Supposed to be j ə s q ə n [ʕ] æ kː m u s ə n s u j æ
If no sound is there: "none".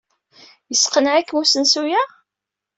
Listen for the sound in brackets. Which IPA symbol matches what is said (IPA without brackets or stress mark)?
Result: ʕ